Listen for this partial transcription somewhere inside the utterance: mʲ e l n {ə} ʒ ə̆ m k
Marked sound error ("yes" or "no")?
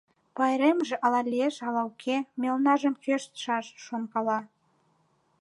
yes